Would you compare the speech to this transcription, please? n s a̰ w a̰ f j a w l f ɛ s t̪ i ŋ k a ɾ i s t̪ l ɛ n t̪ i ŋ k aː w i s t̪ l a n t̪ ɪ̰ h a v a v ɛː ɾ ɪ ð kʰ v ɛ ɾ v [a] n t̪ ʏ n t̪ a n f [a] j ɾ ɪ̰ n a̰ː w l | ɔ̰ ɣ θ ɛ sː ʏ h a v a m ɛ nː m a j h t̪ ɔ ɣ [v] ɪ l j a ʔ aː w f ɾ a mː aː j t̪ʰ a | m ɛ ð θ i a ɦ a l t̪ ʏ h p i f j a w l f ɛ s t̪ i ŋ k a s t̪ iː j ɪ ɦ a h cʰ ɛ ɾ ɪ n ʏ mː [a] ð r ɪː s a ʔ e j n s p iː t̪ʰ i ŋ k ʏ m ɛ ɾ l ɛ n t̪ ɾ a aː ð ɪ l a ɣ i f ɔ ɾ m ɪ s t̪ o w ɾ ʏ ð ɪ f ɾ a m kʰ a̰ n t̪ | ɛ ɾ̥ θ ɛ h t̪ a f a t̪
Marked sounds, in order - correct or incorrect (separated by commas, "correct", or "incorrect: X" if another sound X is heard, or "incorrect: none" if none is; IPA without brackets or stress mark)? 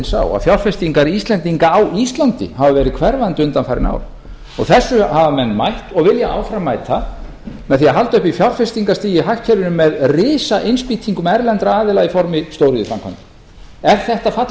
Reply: correct, correct, correct, incorrect: ɛ